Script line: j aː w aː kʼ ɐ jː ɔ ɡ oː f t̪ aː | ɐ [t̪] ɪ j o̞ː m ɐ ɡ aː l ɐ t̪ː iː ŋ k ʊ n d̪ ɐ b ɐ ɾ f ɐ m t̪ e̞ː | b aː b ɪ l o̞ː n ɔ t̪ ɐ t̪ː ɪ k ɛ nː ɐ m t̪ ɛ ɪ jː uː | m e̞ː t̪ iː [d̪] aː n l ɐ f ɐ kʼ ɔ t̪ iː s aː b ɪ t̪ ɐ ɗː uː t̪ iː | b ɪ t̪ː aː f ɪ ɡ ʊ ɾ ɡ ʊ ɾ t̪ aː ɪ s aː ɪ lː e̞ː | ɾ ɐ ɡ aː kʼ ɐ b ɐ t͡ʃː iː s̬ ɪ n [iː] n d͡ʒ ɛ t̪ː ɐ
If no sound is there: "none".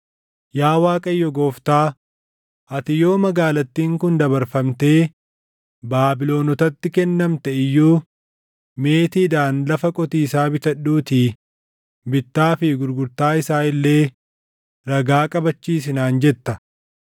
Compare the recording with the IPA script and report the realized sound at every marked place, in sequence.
t̪, d̪, aː

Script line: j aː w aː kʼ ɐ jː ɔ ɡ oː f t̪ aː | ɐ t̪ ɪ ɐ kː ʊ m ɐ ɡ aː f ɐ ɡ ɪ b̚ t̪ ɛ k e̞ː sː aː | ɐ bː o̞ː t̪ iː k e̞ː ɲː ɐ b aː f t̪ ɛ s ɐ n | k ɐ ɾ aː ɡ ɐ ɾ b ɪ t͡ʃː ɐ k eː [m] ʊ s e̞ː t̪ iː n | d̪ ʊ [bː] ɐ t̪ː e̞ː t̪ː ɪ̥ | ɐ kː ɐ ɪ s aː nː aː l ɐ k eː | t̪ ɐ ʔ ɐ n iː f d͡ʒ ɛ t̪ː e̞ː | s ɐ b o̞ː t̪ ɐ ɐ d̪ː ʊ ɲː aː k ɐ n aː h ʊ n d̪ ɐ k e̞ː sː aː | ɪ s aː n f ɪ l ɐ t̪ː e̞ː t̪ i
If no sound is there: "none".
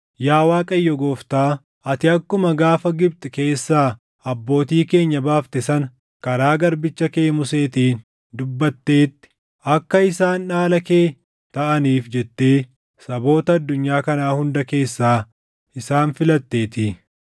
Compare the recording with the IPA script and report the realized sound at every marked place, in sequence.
m, bː

